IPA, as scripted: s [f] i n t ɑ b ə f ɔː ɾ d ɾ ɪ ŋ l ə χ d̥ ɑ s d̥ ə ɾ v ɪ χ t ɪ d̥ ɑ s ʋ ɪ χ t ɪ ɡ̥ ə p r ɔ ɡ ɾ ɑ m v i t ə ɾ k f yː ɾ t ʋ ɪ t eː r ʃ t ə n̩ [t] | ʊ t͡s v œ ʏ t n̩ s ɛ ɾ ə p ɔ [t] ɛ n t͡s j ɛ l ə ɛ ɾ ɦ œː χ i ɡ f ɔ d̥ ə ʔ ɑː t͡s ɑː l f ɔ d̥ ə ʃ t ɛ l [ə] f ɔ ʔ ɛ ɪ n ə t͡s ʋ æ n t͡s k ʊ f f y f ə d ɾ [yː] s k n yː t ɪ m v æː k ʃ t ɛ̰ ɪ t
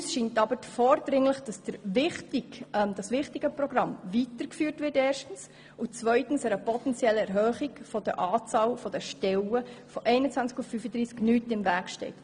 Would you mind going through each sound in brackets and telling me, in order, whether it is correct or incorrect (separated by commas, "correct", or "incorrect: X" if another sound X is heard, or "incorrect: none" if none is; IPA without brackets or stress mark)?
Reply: incorrect: ʃ, incorrect: s, correct, correct, incorrect: iː